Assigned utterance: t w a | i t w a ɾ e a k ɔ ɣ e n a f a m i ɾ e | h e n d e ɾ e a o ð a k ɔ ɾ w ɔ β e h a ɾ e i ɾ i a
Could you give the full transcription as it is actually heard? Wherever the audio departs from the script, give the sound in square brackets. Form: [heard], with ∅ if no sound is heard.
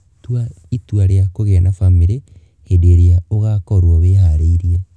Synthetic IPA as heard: t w a | i t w a ɾ e a k [o] ɣ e n a f a m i ɾ e | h e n d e ɾ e a o [ɣ] a k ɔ ɾ w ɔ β e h a ɾ e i ɾ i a